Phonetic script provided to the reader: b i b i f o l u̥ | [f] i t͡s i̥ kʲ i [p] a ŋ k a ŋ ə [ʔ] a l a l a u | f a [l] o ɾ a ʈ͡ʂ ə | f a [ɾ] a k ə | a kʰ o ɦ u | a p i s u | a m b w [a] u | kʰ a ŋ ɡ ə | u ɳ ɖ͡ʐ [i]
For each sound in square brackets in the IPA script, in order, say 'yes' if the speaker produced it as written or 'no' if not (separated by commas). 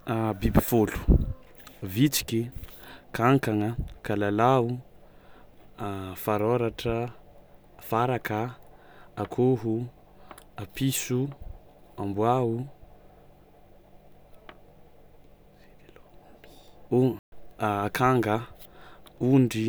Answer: no, no, no, no, yes, yes, yes